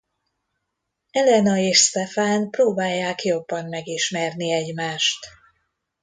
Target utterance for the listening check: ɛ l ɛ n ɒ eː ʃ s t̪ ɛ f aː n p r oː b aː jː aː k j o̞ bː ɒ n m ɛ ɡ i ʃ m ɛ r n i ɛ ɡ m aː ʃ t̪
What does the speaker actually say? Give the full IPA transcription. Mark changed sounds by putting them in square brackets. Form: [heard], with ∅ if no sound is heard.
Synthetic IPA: ɛ l ɛ n ɒ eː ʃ s t̪ ɛ f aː n p r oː b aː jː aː k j o̞ bː ɒ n m ɛ ɡ i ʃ m ɛ r n i ɛ [ɟ] m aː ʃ t̪